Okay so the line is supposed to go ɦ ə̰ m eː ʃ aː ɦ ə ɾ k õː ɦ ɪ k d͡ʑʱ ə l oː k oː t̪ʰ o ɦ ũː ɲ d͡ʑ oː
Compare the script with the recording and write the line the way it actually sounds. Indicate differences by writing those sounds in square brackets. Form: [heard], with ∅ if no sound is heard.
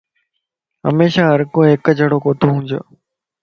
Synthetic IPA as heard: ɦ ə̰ m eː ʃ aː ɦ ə ɾ k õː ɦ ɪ k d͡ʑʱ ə [ɽ] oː k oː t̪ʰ o ɦ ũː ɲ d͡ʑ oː